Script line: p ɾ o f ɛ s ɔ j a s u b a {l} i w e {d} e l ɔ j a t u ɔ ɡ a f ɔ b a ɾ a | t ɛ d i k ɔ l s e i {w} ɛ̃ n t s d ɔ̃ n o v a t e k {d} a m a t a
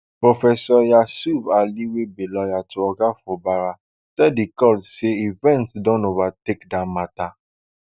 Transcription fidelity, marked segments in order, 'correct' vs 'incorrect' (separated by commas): correct, incorrect, incorrect, correct